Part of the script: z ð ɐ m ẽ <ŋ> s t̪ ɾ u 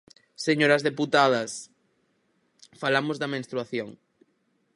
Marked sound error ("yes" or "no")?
yes